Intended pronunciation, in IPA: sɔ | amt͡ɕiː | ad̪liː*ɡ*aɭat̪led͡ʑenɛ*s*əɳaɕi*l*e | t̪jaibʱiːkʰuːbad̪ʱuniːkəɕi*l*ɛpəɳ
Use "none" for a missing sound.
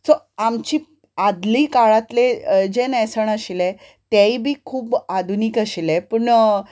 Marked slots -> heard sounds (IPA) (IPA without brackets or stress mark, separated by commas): k, s, l, l